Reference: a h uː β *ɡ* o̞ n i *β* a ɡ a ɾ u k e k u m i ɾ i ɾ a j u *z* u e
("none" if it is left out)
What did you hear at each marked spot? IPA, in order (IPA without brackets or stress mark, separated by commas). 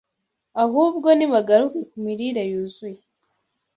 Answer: ɡ, β, z